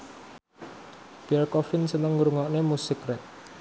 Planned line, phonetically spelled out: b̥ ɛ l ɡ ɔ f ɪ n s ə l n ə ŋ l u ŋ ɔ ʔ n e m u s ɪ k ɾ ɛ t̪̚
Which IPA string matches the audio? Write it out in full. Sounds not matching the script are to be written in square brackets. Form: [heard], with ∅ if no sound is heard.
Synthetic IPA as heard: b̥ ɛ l [k] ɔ f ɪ n s ə [∅] n ə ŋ [ɾ] u ŋ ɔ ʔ n e m u s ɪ k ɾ ɛ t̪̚